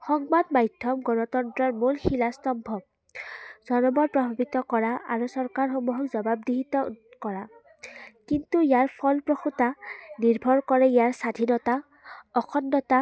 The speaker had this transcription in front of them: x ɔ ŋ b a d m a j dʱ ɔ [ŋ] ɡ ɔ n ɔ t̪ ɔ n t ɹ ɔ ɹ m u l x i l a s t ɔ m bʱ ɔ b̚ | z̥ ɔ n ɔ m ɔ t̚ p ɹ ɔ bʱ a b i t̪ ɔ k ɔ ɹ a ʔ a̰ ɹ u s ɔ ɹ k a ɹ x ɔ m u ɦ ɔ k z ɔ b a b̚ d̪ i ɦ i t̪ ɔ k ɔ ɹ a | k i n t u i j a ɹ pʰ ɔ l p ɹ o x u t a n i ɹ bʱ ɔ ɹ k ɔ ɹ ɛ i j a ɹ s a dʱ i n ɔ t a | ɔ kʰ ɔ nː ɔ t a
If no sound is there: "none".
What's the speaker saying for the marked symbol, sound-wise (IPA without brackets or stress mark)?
m